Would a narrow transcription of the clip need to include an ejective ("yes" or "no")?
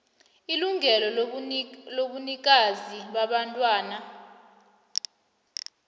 yes